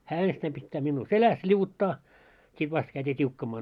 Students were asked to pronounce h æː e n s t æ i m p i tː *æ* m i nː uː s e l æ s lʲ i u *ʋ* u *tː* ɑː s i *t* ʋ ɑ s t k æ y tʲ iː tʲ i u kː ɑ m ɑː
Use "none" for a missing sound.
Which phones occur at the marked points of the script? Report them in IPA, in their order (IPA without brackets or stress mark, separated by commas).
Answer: æː, ʋ, tː, t